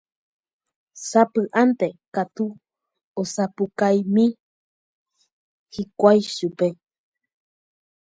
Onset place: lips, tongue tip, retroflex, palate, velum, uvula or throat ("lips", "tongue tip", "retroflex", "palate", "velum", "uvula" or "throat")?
tongue tip